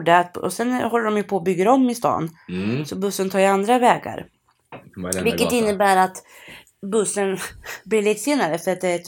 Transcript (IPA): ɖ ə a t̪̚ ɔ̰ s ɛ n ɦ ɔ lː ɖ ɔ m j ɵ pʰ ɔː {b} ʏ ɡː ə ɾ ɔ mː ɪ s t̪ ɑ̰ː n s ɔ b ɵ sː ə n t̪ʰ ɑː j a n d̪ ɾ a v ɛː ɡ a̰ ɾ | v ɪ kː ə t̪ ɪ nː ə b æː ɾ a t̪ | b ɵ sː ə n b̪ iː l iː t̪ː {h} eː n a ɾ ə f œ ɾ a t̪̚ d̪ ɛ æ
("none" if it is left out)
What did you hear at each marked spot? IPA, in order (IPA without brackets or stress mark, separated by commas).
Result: b, s